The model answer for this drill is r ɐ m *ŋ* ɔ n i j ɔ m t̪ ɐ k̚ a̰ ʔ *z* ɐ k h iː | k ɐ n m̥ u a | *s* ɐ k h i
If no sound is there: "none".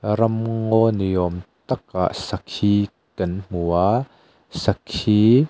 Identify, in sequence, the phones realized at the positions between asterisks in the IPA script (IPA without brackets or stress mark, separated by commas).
ŋ, s, s